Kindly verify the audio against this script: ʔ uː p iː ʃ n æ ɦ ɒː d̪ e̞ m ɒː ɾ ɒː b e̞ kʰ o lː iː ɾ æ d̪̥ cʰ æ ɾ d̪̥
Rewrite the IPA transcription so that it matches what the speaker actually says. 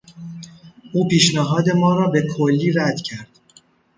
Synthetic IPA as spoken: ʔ uː p iː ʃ n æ ɦ ɒː d̪ e̞ m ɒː ɾ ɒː b e̞ kʰ o lː iː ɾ æ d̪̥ cʰ æ ɾ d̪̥